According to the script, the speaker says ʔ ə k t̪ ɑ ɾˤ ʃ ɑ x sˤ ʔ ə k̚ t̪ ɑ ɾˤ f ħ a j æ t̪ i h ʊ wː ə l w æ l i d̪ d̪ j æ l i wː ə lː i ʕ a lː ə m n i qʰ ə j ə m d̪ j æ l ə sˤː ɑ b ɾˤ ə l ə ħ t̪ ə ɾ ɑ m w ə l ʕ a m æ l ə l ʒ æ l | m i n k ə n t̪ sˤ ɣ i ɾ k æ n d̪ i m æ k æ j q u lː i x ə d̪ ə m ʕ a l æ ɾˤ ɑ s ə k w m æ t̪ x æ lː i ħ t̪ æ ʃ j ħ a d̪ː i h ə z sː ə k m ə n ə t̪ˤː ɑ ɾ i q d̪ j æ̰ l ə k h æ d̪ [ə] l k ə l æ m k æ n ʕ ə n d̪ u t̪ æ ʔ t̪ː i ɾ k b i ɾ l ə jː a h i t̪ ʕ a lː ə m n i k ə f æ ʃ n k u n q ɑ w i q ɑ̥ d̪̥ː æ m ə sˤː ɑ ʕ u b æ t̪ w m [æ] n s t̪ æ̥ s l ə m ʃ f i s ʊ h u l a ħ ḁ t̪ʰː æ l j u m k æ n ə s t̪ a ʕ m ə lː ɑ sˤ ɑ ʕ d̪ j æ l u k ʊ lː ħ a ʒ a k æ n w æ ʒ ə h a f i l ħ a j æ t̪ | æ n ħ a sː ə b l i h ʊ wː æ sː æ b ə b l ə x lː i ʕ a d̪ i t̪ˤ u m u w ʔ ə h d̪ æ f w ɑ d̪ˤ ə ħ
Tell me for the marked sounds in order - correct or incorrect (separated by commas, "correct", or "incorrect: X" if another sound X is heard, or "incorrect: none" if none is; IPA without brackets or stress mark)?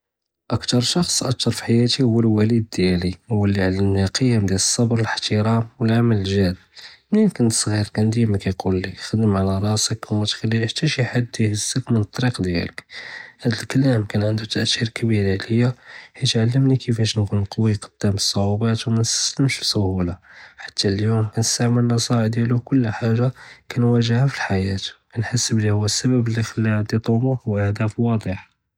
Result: correct, correct